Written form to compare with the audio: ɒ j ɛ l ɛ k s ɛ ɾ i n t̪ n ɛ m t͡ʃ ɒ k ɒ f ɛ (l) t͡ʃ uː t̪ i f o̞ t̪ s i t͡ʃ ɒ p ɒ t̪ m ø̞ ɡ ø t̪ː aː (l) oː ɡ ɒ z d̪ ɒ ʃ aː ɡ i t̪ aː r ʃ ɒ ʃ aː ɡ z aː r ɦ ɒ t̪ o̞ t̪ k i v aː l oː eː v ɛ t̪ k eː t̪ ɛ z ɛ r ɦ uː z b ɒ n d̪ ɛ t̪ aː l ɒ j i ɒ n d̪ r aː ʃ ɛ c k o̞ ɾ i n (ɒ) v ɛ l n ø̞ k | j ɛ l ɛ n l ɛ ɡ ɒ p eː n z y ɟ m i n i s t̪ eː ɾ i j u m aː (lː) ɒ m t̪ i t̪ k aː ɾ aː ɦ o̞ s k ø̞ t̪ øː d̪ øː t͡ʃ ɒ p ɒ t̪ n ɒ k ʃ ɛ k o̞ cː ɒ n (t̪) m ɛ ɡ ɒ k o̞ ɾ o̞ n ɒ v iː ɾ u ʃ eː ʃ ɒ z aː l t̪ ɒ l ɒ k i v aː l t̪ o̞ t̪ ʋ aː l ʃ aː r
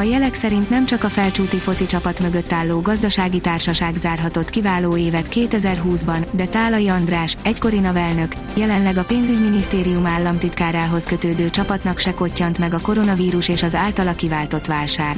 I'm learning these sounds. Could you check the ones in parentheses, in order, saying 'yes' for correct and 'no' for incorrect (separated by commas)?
yes, no, yes, yes, yes